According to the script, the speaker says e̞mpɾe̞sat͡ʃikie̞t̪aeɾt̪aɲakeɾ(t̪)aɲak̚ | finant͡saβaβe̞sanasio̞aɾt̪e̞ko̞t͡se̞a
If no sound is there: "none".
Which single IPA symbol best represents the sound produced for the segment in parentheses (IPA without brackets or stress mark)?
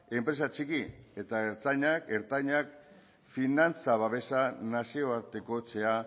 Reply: t̪